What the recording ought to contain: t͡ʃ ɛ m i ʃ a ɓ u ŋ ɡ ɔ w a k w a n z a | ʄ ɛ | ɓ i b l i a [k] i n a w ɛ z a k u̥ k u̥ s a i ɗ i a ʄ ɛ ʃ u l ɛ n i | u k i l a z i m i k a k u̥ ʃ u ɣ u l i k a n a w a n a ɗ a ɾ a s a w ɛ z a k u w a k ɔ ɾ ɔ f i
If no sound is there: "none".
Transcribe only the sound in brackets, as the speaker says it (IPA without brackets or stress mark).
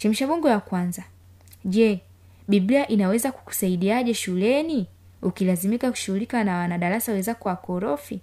ʔ